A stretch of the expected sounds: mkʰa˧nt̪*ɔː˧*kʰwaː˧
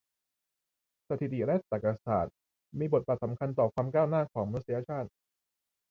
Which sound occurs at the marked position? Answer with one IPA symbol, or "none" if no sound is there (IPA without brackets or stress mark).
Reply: ɔː˨˩